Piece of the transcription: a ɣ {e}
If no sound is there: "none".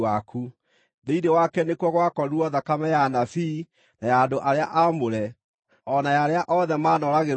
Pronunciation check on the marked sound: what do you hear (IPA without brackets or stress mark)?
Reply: e